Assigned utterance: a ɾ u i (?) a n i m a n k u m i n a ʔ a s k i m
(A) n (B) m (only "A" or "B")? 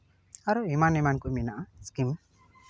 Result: B